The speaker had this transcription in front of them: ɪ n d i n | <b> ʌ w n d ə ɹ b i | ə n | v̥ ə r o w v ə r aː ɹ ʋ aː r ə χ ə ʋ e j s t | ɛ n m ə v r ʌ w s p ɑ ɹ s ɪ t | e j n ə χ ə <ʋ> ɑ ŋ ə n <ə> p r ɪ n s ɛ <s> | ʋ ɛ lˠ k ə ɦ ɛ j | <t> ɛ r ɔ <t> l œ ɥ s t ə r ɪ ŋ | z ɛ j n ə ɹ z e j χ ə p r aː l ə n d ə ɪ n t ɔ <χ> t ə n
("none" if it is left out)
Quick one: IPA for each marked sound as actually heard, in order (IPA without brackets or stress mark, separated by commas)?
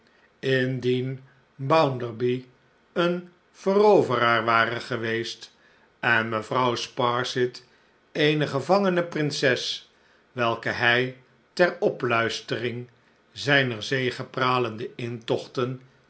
b, v, ə, s, t, p, χ